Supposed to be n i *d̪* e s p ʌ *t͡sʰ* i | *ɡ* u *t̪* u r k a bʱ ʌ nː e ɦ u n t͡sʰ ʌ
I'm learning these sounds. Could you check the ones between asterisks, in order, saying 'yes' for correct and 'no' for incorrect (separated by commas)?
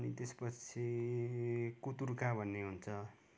no, yes, no, yes